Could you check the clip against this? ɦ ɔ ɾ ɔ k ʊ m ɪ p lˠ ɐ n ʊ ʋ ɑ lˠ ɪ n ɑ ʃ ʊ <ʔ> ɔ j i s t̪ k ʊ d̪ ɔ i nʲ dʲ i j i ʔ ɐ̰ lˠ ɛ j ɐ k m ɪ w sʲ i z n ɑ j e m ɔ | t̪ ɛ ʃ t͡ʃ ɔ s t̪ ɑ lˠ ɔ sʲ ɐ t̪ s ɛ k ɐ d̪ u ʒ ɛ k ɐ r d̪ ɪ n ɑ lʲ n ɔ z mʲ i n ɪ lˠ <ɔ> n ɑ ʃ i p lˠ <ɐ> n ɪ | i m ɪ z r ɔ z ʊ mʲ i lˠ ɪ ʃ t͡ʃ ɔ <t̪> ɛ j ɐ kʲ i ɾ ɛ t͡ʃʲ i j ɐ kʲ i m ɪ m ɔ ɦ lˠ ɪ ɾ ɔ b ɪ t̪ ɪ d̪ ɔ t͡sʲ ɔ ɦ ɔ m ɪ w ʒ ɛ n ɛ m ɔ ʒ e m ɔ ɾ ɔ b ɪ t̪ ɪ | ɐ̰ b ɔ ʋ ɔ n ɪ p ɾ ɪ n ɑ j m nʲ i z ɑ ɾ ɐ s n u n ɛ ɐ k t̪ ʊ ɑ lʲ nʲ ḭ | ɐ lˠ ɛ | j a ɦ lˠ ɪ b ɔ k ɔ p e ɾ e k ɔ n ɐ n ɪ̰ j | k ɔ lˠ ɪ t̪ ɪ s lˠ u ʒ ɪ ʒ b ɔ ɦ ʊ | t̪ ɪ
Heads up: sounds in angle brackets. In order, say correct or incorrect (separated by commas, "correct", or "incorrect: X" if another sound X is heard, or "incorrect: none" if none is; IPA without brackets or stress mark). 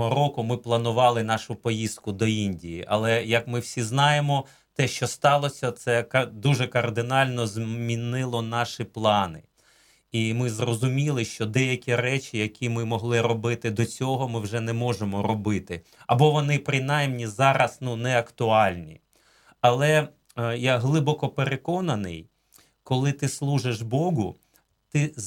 incorrect: p, correct, incorrect: ɑ, incorrect: d̪